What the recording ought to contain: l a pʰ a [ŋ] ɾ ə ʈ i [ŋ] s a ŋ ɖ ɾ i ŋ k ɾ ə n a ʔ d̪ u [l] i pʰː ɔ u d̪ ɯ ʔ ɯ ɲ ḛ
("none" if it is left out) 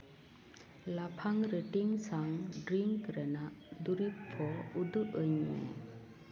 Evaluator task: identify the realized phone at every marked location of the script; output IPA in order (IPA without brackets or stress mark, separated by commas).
ŋ, ŋ, ɾ